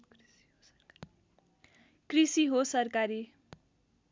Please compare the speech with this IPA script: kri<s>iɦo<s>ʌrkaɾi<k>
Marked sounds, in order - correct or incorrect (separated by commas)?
correct, correct, incorrect